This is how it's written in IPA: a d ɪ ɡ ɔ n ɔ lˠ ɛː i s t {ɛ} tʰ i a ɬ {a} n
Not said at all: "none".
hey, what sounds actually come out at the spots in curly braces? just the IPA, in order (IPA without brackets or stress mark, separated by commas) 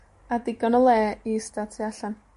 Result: a, a